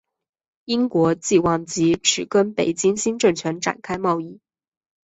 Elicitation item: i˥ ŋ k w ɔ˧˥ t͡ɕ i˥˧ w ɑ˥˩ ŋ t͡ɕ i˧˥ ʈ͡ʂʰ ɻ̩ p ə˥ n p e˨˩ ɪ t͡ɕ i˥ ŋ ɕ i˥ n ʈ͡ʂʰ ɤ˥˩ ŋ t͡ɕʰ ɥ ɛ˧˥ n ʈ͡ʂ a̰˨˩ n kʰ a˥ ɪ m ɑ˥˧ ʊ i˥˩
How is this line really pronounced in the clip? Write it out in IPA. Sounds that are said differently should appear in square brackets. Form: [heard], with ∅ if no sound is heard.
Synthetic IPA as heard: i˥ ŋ k w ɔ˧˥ t͡ɕ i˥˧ w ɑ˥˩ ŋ t͡ɕ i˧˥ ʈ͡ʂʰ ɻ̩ [k] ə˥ n p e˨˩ ɪ t͡ɕ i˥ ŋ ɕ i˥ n [ʈ͡ʂ] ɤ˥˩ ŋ t͡ɕʰ ɥ ɛ˧˥ n ʈ͡ʂ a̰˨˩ n kʰ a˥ ɪ m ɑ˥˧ ʊ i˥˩